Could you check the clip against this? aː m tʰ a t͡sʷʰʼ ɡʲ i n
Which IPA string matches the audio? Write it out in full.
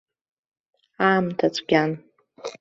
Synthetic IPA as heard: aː m tʰ a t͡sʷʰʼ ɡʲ a n